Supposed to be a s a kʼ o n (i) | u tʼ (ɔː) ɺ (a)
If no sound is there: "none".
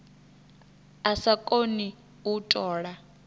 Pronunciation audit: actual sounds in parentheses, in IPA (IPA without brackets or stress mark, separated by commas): i, ɔː, a